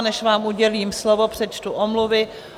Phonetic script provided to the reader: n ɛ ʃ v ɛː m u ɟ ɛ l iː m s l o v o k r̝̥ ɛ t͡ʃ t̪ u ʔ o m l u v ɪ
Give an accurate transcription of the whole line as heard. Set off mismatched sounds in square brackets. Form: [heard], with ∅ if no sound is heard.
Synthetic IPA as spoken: n ɛ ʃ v [aː] m u ɟ ɛ l iː m s l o v o [p] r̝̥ ɛ t͡ʃ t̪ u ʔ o m l u v ɪ